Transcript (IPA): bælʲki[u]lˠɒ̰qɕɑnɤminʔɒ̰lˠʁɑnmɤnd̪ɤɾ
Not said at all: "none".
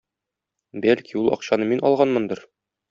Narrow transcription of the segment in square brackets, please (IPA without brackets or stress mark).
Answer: u